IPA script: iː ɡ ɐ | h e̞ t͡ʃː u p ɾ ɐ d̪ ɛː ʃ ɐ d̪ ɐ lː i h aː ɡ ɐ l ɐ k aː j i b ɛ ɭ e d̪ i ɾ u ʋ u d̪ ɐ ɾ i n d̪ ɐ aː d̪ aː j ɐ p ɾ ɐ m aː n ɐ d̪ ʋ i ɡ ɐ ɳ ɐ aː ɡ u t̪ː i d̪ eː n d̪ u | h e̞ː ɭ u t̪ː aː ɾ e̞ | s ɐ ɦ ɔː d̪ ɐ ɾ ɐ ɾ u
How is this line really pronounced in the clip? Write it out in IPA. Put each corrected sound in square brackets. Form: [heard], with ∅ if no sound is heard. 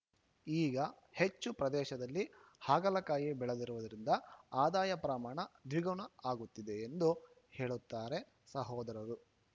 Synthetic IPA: iː ɡ ɐ | h e̞ t͡ʃː u p ɾ ɐ d̪ ɛː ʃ ɐ d̪ ɐ lː i h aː ɡ ɐ l ɐ k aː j i b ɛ ɭ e d̪ i ɾ u ʋ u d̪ ɐ ɾ i n d̪ ɐ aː d̪ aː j ɐ p ɾ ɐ m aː [ɳ] ɐ d̪ ʋ i ɡ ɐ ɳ ɐ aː ɡ u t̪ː i d̪ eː n d̪ u | h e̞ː ɭ u t̪ː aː ɾ e̞ | s ɐ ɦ ɔː d̪ ɐ ɾ ɐ ɾ u